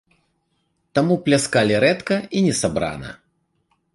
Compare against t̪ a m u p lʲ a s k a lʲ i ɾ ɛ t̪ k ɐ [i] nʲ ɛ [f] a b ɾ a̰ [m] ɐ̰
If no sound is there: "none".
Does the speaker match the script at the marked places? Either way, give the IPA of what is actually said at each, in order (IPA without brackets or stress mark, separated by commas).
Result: i, s, n